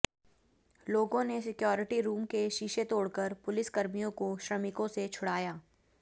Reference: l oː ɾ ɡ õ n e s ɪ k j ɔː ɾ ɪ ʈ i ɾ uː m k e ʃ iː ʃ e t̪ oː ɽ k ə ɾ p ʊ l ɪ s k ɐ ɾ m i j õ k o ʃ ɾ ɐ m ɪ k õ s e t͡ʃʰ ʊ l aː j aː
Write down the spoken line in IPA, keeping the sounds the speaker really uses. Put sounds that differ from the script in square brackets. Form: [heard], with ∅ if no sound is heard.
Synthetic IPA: l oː [∅] ɡ õ n e s ɪ k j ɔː ɾ ɪ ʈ i ɾ uː m k e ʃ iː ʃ e t̪ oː ɽ k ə ɾ p ʊ l ɪ s k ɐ ɾ m i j õ k o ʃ ɾ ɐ m ɪ k õ s e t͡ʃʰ ʊ [ɽ] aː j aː

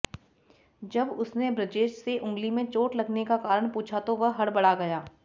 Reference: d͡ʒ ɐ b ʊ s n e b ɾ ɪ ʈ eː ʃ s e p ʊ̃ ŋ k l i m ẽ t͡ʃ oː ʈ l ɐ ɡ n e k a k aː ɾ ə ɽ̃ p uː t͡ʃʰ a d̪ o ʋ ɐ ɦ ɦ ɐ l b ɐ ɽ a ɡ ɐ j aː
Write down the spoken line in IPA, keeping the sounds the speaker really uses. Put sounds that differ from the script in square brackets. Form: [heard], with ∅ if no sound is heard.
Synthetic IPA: d͡ʒ ɐ b ʊ s n e b ɾ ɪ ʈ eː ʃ s e [ʔ] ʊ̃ ŋ [ɡ] l i m ẽ t͡ʃ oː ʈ l ɐ ɡ n e k a k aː ɾ ə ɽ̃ p uː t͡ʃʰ a [t̪] o ʋ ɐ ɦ ɦ ɐ [ɽ] b ɐ ɽ a ɡ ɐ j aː

